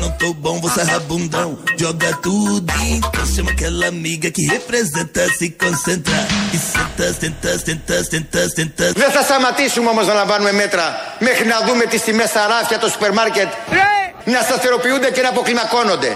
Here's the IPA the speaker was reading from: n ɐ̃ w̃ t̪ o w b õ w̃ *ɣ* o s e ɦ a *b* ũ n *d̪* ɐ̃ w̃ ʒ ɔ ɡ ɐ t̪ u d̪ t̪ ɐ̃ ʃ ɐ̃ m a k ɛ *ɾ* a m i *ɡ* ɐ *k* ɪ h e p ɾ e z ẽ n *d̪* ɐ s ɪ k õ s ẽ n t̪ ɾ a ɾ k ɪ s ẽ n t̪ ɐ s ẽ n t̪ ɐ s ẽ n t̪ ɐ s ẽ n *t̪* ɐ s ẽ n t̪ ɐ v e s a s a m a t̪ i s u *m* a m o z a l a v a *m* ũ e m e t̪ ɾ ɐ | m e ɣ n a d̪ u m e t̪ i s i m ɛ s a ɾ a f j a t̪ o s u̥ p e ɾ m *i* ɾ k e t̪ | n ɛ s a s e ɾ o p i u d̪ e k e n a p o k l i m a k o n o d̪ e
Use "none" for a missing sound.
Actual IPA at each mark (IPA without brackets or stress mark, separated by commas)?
v, b, d̪, l, ɡ, k, t̪, t̪, m, n, a